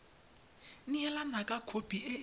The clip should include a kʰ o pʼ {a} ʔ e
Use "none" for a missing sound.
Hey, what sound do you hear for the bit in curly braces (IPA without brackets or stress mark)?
i